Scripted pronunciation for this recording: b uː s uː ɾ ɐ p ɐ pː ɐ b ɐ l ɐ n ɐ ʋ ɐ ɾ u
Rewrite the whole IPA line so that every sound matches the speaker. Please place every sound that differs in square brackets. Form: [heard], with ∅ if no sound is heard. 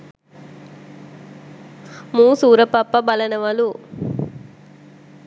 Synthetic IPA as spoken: [m] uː s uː ɾ ɐ p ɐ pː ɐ b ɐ l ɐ n ɐ ʋ ɐ [l] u